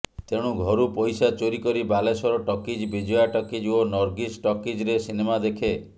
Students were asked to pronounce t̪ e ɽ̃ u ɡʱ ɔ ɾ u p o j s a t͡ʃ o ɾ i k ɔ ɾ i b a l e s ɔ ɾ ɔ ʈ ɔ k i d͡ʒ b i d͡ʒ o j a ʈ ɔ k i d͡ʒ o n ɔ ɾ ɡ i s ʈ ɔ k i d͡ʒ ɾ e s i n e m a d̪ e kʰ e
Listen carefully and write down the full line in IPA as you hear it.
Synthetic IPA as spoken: t̪ e ɽ̃ u ɡʱ ɔ ɾ u p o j s a t͡ʃ o ɾ i k ɔ ɾ i b a l e s ɔ ɾ ɔ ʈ ɔ k i d͡ʒ b i d͡ʒ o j a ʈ ɔ k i d͡ʒ o n ɔ ɾ ɡ i s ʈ ɔ k i d͡ʒ ɾ e s i n e m a d̪ e kʰ e